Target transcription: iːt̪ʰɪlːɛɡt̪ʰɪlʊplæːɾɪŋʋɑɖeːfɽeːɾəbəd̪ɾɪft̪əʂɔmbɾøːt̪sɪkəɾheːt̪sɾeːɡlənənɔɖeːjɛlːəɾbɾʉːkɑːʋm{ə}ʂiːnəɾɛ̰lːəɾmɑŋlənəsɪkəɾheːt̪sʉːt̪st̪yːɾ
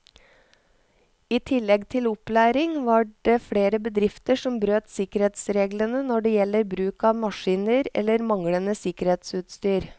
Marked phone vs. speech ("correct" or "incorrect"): incorrect